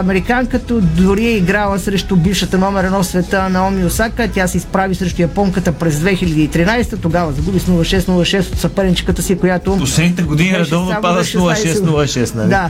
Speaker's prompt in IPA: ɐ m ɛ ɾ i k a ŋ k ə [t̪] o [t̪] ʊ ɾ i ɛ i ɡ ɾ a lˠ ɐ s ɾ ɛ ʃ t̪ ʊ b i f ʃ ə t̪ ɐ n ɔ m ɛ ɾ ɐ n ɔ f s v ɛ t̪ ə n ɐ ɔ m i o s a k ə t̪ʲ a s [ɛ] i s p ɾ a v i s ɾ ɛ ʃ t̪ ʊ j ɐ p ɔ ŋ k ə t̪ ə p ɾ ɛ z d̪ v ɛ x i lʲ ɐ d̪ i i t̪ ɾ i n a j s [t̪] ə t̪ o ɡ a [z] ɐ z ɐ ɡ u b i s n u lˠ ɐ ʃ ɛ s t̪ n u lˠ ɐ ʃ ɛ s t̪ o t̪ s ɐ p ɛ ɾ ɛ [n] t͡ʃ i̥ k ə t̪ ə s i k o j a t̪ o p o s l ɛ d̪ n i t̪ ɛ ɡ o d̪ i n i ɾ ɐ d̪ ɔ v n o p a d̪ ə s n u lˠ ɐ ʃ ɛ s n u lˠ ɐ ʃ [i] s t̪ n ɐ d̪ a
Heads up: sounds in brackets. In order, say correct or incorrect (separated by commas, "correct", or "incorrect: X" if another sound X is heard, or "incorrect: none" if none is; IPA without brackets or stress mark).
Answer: correct, incorrect: d̪, correct, correct, incorrect: v, correct, incorrect: ɛ